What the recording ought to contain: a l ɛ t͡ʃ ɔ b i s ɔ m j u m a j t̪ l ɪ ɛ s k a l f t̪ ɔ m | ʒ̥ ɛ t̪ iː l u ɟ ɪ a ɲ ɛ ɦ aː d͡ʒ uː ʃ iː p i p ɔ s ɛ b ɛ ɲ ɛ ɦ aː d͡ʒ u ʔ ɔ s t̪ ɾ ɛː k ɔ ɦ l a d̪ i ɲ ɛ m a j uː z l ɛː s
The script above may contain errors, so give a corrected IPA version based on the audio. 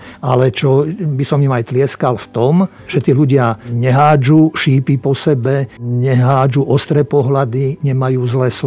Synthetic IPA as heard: a l ɛ t͡ʃ ɔ b i s ɔ m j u m a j t̪ l ɪ ɛ s k a l f t̪ ɔ m | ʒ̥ ɛ t̪ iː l u ɟ ɪ a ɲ ɛ ɦ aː d͡ʒ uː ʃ iː p i p ɔ s ɛ b ɛ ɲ ɛ ɦ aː d͡ʒ u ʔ ɔ s t̪ ɾ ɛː p ɔ ɦ l a d̪ i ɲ ɛ m a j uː z l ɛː s